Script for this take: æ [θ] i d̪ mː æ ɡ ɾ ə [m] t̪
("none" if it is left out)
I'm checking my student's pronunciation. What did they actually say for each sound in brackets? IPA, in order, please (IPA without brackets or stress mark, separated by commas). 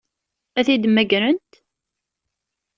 θ, n